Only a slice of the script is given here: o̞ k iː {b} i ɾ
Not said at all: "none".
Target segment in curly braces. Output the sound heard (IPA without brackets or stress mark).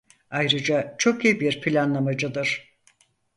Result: b